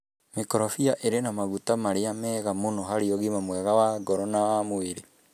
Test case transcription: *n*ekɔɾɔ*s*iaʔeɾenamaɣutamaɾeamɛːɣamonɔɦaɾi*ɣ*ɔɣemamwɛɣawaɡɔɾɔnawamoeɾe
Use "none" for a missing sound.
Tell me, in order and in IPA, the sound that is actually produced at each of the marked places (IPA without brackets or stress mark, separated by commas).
m, f, none